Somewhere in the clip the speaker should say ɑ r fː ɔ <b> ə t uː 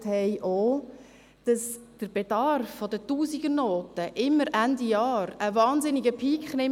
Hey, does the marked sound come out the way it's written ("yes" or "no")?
no